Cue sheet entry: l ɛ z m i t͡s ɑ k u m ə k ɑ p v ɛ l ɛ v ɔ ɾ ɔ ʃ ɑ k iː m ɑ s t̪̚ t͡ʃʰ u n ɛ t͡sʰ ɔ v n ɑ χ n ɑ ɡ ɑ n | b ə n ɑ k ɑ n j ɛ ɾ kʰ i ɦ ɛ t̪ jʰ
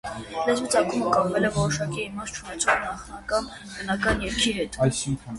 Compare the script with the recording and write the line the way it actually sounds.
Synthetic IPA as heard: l ɛ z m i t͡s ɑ k u m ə k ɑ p v ɛ l ɛ v ɔ ɾ ɔ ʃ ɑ k iː m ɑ s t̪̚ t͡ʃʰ u n ɛ t͡sʰ ɔ ʁ n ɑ χ n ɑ k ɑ n | b ə n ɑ k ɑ n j ɛ ɾ kʰ i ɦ ɛ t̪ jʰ